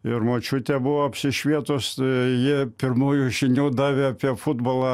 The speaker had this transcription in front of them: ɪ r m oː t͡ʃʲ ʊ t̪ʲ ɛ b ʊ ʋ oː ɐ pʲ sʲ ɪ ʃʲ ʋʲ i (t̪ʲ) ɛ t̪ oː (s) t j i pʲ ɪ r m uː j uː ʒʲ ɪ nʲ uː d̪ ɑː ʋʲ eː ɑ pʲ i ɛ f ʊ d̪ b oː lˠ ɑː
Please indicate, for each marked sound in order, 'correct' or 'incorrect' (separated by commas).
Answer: incorrect, correct